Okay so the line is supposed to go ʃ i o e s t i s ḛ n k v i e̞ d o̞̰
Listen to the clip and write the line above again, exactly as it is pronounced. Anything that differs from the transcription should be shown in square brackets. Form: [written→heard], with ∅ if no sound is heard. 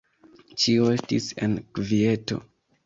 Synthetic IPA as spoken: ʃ i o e s t i s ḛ n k v i e̞ [d→t] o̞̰